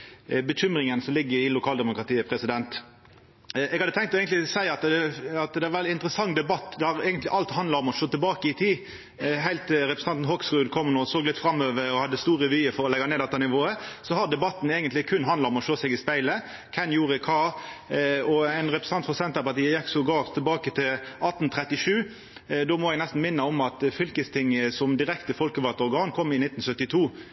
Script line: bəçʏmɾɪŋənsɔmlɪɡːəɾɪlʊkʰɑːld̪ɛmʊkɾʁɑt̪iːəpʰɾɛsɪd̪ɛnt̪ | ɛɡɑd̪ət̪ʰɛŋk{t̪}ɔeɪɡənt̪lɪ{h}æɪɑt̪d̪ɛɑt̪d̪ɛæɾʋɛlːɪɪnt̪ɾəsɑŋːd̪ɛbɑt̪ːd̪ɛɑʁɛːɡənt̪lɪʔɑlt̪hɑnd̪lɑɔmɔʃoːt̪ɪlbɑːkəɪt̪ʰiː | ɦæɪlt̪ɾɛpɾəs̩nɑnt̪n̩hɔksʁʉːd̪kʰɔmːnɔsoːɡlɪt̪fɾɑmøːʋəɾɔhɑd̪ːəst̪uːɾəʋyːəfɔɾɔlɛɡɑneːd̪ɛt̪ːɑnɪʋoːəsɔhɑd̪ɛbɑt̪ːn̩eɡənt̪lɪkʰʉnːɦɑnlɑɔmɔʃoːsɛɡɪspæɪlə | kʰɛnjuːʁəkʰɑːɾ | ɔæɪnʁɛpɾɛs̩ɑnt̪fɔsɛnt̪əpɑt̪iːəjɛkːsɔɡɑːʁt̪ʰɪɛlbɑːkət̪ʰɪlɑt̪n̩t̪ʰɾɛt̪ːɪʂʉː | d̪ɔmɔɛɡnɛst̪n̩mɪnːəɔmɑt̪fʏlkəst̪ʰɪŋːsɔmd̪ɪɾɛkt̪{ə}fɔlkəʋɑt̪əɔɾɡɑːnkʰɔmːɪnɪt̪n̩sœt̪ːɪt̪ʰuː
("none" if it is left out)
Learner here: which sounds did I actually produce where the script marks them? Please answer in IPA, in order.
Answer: t̪, s, ə

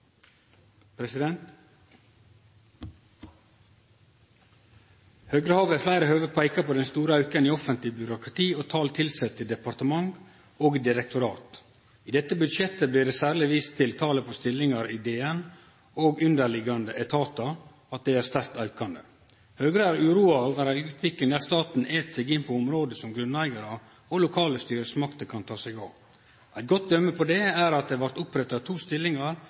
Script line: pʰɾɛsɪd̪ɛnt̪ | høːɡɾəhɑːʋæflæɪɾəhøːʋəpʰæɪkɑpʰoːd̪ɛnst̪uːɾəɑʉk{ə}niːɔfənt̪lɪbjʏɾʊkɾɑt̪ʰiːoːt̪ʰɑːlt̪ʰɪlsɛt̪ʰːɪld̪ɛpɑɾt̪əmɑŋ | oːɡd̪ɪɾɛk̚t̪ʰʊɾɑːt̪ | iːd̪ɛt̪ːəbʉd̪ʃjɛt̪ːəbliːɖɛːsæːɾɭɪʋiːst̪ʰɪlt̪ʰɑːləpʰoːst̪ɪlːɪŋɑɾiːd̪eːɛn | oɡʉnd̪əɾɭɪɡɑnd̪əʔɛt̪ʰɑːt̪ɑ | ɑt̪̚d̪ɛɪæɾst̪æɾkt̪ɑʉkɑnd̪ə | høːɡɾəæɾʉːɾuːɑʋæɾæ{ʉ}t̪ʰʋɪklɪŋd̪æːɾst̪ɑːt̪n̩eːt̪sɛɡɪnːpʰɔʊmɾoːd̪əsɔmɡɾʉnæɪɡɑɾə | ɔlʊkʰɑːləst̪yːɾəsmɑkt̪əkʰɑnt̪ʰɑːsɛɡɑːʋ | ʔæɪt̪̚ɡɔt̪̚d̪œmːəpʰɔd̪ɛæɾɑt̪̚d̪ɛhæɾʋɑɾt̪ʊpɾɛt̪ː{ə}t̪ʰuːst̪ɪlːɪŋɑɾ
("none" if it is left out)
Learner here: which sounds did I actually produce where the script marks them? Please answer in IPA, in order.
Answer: ə, ʉː, ɑ

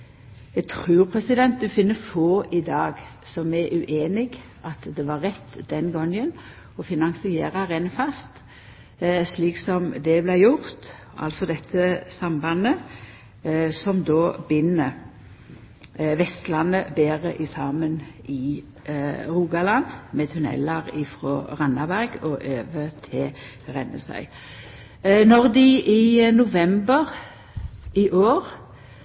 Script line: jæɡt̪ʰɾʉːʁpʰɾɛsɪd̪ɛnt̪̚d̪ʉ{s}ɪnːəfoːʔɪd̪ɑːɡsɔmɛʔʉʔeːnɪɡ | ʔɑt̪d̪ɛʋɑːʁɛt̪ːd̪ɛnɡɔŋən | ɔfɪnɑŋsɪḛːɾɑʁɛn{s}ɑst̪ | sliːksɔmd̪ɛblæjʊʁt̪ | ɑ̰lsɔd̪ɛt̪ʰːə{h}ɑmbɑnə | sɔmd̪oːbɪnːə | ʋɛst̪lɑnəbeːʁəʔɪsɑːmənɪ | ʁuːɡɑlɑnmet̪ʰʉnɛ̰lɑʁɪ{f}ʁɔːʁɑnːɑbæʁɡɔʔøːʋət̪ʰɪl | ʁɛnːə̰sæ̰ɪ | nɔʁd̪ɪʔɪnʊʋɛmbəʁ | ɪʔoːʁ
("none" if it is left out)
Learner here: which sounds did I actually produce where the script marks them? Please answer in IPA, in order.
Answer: f, f, s, f

